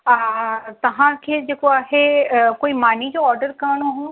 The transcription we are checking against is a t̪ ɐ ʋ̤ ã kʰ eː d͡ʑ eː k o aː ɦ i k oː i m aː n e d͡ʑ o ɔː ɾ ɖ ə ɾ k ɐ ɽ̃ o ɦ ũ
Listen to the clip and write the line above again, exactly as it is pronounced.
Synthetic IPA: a t̪ ɐ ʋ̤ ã kʰ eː d͡ʑ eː k o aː ɦ e k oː i m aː n i d͡ʑ o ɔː ɾ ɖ ə ɾ k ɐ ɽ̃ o ɦ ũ